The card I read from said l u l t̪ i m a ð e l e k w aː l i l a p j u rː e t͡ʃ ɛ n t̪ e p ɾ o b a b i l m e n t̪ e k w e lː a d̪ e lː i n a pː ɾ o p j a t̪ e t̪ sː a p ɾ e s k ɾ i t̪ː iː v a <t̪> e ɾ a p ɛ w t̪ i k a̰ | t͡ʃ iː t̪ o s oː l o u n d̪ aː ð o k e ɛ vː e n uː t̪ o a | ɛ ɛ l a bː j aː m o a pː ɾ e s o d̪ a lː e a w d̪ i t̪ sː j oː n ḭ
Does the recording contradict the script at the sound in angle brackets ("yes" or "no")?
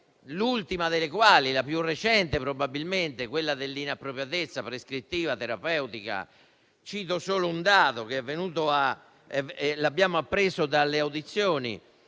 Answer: no